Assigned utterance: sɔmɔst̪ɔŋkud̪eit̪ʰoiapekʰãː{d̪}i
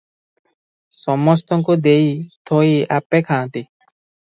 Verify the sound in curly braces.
incorrect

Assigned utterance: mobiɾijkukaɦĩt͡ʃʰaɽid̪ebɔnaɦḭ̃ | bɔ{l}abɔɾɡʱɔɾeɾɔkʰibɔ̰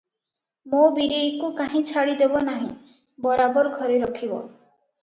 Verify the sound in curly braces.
incorrect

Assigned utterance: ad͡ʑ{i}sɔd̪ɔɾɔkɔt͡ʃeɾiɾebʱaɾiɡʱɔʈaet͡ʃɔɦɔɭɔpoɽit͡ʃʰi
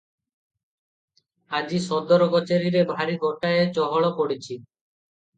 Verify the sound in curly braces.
correct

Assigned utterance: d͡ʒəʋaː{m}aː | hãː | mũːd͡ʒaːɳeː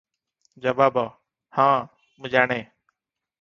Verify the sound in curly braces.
incorrect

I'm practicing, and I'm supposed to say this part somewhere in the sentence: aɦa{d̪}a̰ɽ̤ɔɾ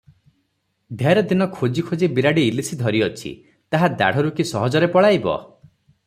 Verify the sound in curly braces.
correct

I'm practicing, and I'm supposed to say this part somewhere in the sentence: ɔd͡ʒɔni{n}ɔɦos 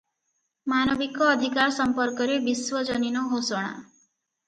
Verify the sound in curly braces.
correct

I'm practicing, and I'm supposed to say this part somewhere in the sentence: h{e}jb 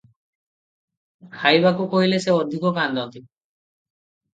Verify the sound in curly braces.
incorrect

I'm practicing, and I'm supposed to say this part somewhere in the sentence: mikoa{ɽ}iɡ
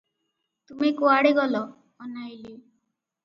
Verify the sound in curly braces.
correct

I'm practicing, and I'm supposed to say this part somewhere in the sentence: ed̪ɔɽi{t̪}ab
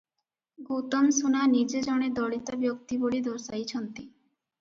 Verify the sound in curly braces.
correct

